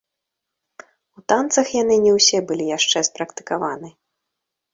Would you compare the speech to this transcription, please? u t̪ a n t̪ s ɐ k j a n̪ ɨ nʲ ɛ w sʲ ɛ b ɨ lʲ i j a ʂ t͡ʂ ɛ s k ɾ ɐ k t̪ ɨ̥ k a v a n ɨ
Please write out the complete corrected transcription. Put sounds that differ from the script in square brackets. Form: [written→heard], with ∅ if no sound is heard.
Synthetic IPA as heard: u t̪ a n t̪ s ɐ [k→x] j a n̪ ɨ nʲ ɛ w sʲ ɛ b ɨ lʲ i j a ʂ t͡ʂ ɛ s [k→p] ɾ ɐ k t̪ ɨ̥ k a v a n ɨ

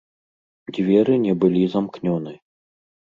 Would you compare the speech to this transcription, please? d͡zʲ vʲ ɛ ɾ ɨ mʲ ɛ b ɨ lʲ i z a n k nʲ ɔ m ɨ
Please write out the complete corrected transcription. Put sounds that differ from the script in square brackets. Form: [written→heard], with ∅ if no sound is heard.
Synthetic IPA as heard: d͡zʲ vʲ ɛ ɾ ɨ [mʲ→nʲ] ɛ b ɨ lʲ i z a [n→m] k nʲ ɔ [m→n] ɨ

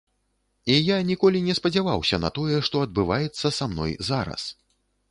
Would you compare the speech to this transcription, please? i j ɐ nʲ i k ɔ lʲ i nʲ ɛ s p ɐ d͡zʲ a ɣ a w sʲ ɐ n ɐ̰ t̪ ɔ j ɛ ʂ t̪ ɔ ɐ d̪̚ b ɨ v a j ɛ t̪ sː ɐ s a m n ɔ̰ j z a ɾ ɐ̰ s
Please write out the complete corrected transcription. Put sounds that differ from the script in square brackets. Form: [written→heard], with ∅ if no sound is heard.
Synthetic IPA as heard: i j [ɐ→a] nʲ i k ɔ lʲ i nʲ ɛ s p ɐ d͡zʲ a [ɣ→v] a w sʲ ɐ n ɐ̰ t̪ ɔ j ɛ ʂ t̪ ɔ ɐ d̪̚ b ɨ v a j ɛ t̪ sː ɐ s a m n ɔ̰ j z a ɾ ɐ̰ s

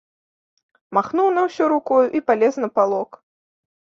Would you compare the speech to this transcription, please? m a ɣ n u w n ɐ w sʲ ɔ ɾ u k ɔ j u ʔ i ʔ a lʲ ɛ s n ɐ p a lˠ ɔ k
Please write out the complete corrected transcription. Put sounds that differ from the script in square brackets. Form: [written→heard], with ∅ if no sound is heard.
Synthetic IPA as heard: m a [ɣ→x] n u w n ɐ w sʲ ɔ ɾ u k ɔ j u ʔ i [ʔ→p] a lʲ ɛ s n ɐ p a lˠ ɔ k

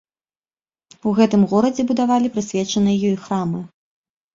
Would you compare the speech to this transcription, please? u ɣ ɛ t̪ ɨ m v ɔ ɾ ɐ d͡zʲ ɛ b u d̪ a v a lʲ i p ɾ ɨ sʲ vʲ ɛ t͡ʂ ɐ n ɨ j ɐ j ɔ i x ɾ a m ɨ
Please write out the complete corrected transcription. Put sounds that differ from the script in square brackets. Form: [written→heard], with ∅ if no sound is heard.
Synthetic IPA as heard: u ɣ ɛ t̪ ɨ m [v→ɣ] ɔ ɾ ɐ d͡zʲ ɛ b u d̪ a v a lʲ i p ɾ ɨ sʲ vʲ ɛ t͡ʂ ɐ n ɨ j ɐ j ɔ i x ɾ a m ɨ

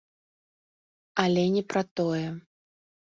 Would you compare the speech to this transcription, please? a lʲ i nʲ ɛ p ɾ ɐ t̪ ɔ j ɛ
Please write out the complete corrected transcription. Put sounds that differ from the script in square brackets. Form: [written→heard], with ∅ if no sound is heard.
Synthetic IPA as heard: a lʲ [i→ɛ] nʲ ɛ p ɾ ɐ t̪ ɔ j ɛ

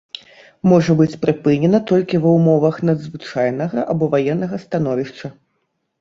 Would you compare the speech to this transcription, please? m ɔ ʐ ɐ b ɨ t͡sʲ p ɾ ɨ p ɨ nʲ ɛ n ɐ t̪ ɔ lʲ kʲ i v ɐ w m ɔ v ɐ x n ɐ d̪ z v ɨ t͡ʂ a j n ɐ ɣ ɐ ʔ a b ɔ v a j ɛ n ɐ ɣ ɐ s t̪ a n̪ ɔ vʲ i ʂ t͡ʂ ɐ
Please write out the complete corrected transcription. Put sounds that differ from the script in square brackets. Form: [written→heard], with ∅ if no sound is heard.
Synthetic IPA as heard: m ɔ ʐ ɐ b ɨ t͡sʲ p ɾ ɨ p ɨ nʲ ɛ n ɐ t̪ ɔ lʲ kʲ i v ɐ w m ɔ v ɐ x n ɐ d̪ z v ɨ t͡ʂ a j n ɐ ɣ ɐ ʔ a b ɔ v a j ɛ [n→nː] ɐ ɣ ɐ s t̪ a n̪ ɔ vʲ i ʂ t͡ʂ ɐ

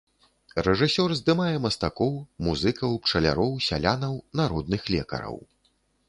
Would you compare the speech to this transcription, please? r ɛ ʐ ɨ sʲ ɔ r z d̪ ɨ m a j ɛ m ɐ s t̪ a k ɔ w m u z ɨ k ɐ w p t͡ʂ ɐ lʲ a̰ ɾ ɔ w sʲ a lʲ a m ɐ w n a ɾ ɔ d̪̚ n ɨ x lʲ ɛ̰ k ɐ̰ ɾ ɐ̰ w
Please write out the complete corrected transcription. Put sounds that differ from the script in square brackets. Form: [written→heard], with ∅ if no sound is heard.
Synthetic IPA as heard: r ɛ ʐ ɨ sʲ ɔ r z d̪ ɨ m a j ɛ m ɐ s t̪ a k ɔ w m u z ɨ k ɐ w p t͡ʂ ɐ lʲ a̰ ɾ ɔ w sʲ a lʲ a [m→n] ɐ w n a ɾ ɔ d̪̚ n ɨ x lʲ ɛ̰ k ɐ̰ ɾ ɐ̰ w

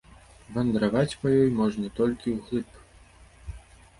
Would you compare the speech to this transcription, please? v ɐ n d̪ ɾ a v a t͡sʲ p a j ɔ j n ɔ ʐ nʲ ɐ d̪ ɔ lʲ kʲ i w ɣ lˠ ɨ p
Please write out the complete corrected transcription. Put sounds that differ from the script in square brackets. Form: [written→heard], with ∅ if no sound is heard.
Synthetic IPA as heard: v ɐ n d̪ ɾ a v a t͡sʲ p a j ɔ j [n→m] ɔ ʐ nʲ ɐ [d̪→t̪] ɔ lʲ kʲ i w ɣ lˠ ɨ p

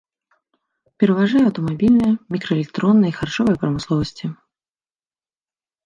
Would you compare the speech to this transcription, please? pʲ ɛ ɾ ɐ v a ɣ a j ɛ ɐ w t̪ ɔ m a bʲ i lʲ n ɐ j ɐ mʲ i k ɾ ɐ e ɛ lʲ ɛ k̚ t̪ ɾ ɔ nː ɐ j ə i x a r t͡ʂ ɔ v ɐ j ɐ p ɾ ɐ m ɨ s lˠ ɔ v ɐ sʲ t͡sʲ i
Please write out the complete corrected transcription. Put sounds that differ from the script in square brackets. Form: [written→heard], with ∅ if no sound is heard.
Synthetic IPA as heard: pʲ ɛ ɾ ɐ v a [ɣ→ʐ] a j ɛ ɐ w t̪ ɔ m a bʲ i lʲ n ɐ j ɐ mʲ i k ɾ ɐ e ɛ lʲ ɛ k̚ t̪ ɾ ɔ nː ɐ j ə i x a r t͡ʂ ɔ v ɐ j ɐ p ɾ ɐ m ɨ s lˠ ɔ v ɐ sʲ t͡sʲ i

